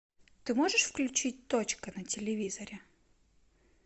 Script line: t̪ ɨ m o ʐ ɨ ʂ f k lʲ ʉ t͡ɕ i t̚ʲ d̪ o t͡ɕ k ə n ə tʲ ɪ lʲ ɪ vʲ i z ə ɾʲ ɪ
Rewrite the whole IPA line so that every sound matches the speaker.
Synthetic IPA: t̪ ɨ m o ʐ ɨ ʂ f k lʲ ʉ t͡ɕ i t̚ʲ t̪ o t͡ɕ k ə n ə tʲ ɪ lʲ ɪ vʲ i z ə ɾʲ ɪ